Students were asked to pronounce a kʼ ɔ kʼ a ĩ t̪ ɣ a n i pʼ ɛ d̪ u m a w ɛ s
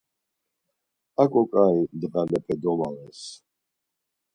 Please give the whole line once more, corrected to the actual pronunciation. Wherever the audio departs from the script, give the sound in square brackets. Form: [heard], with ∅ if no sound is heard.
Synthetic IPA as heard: a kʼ ɔ kʼ a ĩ [d̪] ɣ a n [ɛ] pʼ ɛ d̪ [ɔ] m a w ɛ s